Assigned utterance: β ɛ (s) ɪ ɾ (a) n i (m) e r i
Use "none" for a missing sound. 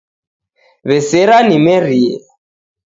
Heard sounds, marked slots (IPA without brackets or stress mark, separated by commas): s, a, m